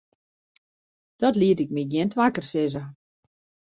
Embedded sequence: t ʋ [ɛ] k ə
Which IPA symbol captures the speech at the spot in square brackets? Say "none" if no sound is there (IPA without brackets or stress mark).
a